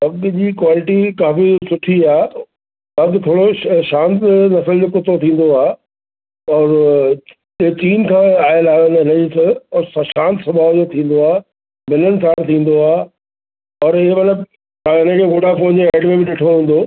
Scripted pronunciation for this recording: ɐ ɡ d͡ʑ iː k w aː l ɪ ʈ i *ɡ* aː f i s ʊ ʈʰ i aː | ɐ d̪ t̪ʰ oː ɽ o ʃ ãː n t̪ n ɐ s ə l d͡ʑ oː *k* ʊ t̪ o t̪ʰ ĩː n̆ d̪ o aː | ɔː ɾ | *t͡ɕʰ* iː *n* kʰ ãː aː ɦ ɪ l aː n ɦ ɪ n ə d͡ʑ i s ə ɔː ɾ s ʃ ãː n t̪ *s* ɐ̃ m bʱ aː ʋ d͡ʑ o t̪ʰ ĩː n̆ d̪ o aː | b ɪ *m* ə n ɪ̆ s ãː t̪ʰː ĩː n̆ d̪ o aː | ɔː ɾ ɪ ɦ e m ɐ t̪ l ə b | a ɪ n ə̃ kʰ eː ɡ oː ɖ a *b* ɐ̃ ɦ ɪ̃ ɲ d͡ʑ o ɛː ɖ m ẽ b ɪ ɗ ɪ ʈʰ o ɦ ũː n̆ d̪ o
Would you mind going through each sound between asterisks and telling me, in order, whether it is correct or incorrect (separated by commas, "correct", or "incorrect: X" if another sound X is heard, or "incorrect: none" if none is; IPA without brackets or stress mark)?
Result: incorrect: k, correct, incorrect: t͡ɕ, correct, correct, incorrect: n, incorrect: p